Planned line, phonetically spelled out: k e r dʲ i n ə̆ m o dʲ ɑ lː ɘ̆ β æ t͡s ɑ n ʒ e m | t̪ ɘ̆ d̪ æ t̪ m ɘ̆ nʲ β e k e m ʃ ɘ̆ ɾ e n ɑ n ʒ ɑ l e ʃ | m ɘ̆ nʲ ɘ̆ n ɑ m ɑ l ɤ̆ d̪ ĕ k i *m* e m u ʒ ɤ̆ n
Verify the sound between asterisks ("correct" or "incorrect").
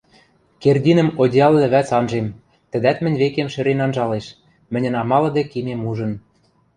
correct